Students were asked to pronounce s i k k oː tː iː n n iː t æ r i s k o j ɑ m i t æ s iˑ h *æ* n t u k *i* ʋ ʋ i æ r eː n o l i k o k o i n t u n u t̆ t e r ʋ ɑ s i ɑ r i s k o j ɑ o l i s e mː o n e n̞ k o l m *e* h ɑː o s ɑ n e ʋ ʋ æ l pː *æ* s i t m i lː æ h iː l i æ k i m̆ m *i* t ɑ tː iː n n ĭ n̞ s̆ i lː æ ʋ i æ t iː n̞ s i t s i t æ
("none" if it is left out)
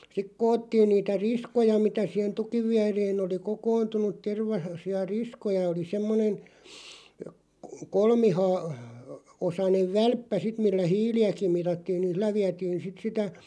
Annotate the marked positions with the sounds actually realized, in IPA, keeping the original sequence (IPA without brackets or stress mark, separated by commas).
e, i, i, æ, i